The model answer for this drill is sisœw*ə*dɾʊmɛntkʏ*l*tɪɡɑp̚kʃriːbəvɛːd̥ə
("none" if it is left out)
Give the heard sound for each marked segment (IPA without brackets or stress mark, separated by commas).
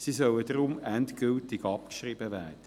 ə, l